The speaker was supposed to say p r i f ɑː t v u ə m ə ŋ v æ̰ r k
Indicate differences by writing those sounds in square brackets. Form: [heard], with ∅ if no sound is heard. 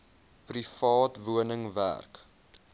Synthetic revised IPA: p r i f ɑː t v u ə [n] ə ŋ v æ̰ r k